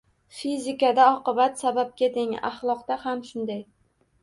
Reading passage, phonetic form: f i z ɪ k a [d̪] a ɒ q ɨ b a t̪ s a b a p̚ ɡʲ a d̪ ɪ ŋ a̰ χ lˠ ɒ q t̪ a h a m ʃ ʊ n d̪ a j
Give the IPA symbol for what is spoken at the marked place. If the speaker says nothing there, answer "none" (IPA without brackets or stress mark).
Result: d̪